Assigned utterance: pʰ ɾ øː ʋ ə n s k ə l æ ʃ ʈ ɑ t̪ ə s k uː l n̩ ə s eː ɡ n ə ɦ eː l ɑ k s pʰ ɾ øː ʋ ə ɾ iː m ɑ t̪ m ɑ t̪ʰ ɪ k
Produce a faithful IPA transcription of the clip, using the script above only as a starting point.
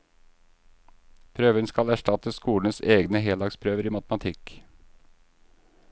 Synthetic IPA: pʰ ɾ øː ʋ ə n s k ɑ l æ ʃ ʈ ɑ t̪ ə s k uː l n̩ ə s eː ɡ n ə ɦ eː l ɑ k s pʰ ɾ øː ʋ ə ɾ iː m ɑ t̪ m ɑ t̪ʰ ɪ k